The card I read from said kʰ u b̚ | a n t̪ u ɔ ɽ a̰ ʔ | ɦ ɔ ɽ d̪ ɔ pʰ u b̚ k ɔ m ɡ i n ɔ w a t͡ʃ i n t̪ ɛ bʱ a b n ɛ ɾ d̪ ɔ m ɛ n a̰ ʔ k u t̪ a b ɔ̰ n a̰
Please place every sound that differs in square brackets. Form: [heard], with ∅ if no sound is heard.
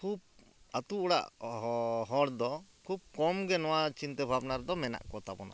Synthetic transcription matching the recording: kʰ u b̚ | a [∅] t̪ u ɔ ɽ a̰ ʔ | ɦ ɔ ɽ d̪ ɔ [kʰ] u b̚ k ɔ m ɡ [ɛ] n ɔ w a t͡ʃ i n t̪ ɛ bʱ a b n [a] ɾ d̪ ɔ m ɛ n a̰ ʔ k [ɔ] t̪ a b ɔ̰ n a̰